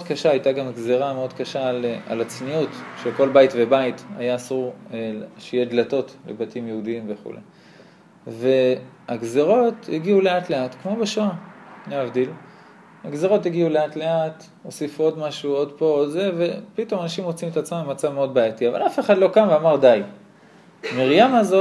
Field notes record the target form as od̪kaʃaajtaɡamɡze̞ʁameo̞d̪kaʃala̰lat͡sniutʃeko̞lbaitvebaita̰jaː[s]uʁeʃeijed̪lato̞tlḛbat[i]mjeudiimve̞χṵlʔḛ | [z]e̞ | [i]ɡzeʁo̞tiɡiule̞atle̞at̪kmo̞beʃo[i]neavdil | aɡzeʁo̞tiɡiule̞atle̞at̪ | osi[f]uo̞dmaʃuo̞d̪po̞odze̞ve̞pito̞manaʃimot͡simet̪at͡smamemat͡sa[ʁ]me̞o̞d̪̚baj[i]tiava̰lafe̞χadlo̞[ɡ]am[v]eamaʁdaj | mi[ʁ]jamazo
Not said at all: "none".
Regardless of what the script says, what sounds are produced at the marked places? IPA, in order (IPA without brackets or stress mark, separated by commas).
s, i, v, a, a, f, v, a, k, v, ʁ